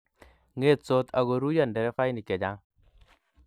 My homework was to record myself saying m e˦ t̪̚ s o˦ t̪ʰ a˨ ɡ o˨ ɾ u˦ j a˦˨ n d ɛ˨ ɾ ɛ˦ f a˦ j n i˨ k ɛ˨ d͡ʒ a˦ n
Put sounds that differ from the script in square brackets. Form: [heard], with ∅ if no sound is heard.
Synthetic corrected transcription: [ŋ] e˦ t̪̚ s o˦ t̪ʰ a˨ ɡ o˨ ɾ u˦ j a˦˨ n d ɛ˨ ɾ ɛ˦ f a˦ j n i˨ k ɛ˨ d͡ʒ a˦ [ŋ]